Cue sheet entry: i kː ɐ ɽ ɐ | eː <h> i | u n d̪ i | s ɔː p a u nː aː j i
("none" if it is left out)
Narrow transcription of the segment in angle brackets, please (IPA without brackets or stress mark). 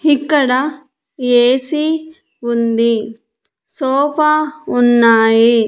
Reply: s